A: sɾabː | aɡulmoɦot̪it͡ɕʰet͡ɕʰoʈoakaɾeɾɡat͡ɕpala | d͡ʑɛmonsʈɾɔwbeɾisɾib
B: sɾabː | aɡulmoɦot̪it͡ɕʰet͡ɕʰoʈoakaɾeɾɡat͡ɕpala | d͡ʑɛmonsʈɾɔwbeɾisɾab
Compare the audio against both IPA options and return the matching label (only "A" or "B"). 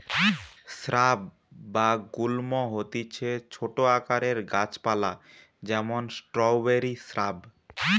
B